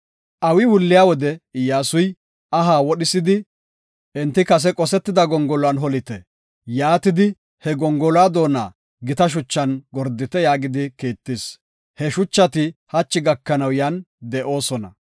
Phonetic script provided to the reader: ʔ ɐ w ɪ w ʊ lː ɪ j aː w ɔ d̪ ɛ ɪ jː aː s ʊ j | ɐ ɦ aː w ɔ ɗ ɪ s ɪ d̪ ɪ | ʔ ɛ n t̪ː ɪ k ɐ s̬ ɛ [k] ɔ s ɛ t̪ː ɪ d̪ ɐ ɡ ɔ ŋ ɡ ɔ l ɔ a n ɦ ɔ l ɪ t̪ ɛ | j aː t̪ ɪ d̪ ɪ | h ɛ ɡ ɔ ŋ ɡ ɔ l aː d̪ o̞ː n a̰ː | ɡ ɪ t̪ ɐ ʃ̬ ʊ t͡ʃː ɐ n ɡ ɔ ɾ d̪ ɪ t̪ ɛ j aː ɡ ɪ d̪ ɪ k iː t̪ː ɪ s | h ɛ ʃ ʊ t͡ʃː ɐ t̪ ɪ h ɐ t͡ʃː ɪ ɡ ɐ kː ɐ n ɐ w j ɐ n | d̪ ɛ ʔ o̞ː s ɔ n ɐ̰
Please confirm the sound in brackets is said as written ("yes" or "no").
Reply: no